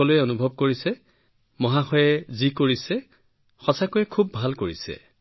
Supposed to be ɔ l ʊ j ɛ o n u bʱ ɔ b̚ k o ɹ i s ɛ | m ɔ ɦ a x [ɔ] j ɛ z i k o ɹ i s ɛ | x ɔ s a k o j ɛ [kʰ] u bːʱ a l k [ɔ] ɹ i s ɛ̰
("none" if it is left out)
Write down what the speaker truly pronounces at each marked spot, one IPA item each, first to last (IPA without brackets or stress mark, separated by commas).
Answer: ɔ, kʰ, o